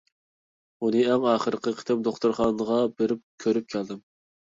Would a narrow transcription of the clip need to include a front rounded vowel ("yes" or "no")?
yes